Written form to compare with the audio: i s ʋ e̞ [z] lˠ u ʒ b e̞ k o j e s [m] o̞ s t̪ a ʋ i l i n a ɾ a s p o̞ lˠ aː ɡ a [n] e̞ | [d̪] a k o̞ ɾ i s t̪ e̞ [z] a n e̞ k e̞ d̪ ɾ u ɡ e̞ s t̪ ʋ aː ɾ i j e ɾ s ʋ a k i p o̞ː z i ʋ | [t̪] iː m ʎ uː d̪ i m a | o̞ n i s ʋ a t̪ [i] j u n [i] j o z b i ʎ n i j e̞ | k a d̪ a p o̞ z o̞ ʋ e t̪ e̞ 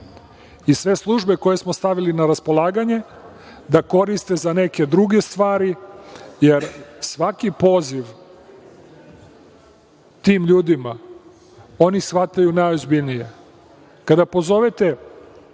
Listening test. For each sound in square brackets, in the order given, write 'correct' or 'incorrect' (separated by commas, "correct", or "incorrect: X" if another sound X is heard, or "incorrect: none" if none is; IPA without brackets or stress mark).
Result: incorrect: s, correct, incorrect: ɲ, correct, correct, correct, incorrect: a, incorrect: a